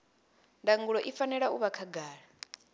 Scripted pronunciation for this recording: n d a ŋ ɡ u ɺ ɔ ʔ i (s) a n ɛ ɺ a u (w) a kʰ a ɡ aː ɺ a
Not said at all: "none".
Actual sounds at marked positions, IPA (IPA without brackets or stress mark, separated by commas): f, β